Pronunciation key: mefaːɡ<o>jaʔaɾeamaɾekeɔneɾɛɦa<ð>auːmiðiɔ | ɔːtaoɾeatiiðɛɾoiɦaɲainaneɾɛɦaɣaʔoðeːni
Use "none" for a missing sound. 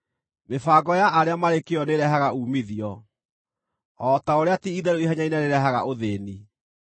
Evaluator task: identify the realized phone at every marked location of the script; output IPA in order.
ɔ, ɣ

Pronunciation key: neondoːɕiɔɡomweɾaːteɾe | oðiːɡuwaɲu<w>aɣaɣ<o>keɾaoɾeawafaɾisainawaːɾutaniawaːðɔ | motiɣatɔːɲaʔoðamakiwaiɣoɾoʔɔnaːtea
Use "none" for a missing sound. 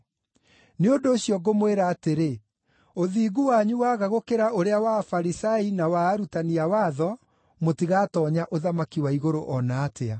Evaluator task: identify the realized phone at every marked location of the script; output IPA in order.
w, o

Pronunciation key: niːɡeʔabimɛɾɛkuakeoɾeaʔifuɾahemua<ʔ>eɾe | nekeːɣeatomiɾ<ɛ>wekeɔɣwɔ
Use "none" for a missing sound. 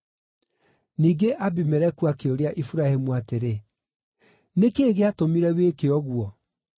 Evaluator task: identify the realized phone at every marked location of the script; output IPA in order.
t, ɛ

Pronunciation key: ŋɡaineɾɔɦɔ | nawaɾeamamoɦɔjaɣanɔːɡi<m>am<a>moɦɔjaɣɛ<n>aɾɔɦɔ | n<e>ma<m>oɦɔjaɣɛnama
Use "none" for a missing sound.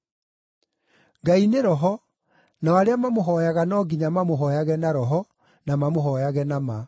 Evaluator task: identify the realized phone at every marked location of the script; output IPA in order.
ɲ, a, n, a, m

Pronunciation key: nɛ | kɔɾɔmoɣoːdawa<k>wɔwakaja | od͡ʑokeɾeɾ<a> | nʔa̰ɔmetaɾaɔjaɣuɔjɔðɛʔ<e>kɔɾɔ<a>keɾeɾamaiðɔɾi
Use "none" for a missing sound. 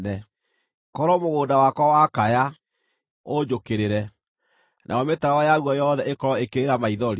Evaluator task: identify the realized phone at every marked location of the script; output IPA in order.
k, ɛ, e, e

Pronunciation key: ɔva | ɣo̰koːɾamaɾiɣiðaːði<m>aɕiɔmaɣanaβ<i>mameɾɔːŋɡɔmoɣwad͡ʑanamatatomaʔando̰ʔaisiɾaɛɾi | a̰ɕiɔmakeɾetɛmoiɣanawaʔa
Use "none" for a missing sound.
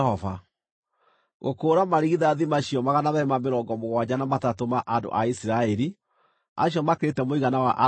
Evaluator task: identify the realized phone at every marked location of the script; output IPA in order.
m, ɛ

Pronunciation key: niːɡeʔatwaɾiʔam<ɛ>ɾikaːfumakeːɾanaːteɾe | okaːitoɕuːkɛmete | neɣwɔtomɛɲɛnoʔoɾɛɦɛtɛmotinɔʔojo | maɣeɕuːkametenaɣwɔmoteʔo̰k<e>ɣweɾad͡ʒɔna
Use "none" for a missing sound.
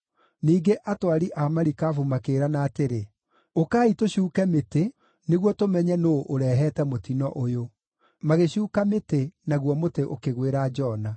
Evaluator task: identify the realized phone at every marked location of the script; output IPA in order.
a, e

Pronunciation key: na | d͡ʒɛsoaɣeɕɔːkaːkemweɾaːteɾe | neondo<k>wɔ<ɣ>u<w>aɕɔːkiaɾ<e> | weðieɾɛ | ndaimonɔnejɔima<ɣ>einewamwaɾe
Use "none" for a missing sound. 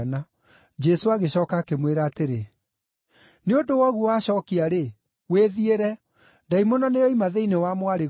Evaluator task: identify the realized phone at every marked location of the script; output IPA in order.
none, ɣ, w, e, ð

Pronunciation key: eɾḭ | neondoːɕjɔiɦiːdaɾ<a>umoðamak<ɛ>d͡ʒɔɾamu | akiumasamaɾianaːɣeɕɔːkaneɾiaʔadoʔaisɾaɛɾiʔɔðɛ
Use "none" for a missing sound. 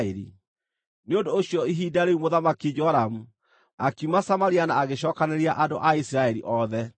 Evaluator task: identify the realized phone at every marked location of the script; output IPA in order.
e, i

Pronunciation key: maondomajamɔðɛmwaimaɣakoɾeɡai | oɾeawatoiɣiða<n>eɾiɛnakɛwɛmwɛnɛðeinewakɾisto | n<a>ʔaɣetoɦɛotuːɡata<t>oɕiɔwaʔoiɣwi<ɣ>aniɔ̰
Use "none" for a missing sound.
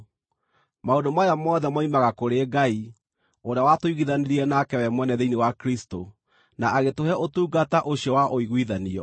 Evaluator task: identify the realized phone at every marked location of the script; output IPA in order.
n, a, ʔ, ð

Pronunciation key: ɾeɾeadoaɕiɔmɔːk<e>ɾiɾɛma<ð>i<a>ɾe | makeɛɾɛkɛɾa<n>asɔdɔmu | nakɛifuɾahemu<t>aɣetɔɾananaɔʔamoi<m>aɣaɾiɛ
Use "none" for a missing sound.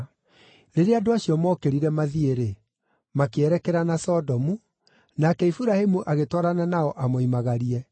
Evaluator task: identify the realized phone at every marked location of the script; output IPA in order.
e, ð, e, n, ʔ, m

